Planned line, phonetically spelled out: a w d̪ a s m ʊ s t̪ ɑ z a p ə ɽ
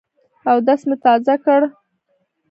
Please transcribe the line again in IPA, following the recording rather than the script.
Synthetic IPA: a w d̪ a s m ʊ t̪ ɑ z a k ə ɽ